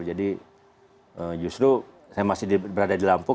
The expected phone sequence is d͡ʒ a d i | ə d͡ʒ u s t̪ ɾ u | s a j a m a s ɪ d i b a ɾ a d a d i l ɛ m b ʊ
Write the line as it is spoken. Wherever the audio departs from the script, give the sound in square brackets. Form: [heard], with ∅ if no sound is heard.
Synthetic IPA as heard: d͡ʒ a d i | ə d͡ʒ u s t̪ ɾ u | s a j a m a s ɪ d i b [ə] ɾ a d a d i l [a] m [p] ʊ